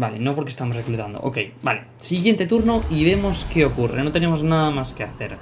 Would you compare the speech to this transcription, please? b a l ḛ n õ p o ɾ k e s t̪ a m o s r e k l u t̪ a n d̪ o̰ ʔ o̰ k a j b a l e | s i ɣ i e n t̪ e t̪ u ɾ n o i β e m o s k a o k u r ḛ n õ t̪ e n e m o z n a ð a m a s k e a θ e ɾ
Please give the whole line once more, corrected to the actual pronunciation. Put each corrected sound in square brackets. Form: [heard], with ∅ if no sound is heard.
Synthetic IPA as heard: b a l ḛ n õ p o ɾ k e s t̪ a m o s r e k l u t̪ a n d̪ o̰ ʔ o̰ k [e] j b a l e | s i ɣ [j] e n t̪ e t̪ u ɾ n o i β e m o s k [e] o k u r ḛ n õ t̪ e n e m o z n a ð a m a s k e a θ e ɾ